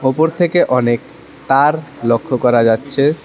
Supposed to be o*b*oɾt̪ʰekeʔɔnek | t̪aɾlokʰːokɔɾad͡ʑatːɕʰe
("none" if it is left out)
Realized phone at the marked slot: p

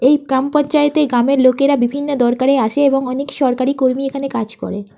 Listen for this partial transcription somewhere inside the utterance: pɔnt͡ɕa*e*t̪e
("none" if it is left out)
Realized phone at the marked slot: e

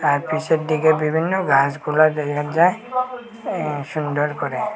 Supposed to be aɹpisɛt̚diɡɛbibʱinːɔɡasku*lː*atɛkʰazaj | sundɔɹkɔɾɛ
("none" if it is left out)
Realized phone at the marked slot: l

